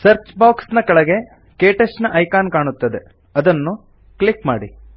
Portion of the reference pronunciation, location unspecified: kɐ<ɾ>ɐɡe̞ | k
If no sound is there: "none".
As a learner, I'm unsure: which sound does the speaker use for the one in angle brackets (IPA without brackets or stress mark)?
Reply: ɭ